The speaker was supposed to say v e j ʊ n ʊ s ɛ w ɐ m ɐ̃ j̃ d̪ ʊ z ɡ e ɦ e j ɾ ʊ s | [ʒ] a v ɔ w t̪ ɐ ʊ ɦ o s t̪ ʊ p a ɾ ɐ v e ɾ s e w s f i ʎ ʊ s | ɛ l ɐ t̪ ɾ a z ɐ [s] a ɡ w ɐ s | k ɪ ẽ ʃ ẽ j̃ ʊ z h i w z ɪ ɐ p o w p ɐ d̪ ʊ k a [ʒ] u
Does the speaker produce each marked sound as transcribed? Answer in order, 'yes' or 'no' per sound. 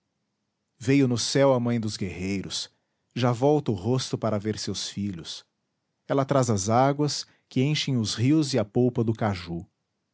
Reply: yes, no, yes

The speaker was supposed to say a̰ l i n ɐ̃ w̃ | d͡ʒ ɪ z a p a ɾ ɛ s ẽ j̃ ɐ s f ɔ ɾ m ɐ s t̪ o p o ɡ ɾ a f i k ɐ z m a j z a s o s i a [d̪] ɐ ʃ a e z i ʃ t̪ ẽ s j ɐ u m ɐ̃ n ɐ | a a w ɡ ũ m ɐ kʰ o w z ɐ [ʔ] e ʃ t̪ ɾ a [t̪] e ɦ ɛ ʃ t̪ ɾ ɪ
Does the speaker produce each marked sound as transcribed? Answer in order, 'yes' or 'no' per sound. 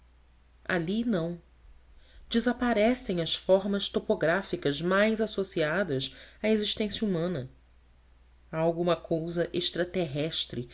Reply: yes, yes, yes

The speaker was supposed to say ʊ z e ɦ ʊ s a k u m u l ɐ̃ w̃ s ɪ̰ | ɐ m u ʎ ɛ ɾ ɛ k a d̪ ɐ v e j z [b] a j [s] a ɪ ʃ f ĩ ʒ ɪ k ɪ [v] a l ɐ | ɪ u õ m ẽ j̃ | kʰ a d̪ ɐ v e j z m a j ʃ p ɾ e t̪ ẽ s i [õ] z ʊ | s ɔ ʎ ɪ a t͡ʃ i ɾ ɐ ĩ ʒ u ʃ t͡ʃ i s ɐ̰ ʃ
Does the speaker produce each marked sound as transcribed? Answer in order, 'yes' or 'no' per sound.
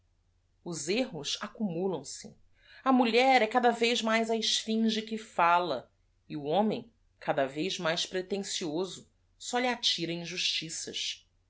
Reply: no, no, no, no

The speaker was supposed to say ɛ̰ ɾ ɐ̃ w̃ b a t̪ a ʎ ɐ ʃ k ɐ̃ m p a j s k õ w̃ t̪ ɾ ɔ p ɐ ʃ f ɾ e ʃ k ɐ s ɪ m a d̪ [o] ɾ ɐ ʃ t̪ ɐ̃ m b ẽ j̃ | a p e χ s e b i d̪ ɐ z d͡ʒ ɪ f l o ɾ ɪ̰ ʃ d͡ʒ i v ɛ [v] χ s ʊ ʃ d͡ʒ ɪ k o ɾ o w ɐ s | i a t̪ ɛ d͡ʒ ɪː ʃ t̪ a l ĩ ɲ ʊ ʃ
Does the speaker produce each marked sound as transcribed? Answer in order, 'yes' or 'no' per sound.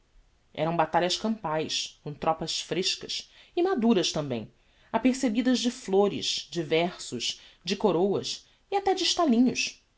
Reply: no, no

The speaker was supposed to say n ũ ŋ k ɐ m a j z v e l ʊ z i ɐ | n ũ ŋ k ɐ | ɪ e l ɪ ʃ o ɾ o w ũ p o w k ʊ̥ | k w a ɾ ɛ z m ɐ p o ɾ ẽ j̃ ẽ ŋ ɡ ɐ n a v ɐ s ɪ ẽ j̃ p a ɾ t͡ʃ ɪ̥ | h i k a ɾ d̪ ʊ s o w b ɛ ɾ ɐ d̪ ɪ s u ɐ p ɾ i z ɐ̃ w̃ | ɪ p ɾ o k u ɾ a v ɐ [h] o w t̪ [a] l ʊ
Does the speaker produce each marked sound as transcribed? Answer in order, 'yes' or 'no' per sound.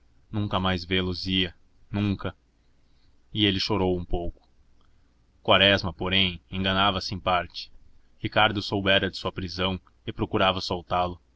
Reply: no, yes

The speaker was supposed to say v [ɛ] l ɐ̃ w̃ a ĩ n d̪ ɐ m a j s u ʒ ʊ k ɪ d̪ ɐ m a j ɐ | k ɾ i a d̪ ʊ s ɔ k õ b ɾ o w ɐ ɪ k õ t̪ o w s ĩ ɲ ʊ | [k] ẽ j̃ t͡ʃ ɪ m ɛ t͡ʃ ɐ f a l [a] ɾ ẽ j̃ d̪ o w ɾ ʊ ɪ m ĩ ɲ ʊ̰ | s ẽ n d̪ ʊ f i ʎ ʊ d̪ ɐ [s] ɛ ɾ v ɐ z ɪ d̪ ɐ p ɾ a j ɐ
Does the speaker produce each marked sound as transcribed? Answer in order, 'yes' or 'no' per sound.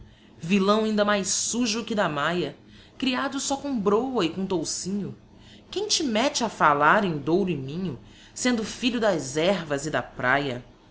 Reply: no, yes, yes, no

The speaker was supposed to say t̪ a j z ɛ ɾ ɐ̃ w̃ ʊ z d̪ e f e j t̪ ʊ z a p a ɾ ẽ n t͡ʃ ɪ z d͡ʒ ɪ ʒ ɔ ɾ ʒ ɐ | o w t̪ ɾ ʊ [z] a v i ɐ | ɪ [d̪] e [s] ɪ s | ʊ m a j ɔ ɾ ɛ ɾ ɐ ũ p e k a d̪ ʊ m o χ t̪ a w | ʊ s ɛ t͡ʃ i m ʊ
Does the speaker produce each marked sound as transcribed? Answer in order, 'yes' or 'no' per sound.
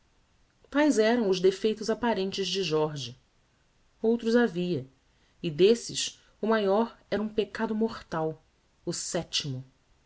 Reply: yes, yes, yes

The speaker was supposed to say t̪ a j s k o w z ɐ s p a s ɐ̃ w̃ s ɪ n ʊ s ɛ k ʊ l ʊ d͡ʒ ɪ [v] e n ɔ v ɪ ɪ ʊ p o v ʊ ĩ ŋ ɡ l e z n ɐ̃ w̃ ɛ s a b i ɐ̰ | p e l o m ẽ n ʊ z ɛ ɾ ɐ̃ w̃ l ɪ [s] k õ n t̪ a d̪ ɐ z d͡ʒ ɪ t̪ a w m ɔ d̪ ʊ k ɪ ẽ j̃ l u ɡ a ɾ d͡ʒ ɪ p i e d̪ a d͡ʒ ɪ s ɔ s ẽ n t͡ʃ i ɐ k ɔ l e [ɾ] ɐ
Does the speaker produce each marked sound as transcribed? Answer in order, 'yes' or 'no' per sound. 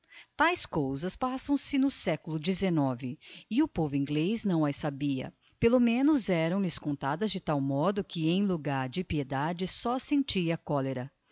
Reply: no, yes, yes

